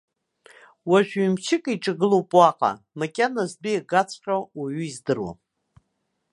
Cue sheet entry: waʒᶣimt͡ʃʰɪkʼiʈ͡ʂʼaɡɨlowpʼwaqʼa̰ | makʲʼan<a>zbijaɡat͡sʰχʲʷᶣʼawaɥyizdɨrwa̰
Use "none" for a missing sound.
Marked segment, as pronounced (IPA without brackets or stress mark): a